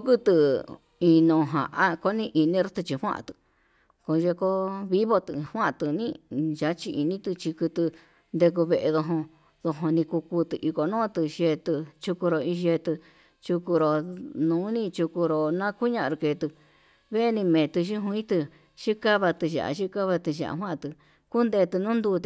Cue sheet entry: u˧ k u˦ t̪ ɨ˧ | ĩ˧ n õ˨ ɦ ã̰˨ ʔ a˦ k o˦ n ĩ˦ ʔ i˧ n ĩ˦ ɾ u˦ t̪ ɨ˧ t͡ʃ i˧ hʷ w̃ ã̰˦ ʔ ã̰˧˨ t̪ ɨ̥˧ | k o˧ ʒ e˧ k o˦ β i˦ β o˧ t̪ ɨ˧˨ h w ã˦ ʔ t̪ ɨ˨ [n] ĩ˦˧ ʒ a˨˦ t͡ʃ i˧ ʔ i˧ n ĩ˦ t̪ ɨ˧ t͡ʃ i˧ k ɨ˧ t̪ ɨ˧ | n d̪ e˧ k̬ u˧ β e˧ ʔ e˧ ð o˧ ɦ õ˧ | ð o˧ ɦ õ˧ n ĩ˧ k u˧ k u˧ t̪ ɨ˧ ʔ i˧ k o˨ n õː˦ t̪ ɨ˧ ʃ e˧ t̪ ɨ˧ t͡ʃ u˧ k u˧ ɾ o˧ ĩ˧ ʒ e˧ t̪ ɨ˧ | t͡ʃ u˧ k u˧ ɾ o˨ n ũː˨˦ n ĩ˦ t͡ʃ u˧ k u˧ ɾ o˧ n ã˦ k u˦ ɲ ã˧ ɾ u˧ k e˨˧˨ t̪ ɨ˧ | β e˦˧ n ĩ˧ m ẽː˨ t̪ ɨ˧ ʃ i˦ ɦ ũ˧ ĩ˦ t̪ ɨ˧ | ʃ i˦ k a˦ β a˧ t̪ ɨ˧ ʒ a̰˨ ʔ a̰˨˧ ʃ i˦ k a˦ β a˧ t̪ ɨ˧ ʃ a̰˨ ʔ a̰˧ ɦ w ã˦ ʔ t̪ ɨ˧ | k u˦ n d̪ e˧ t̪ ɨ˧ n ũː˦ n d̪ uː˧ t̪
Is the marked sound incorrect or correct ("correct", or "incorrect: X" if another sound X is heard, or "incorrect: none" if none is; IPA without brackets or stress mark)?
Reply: correct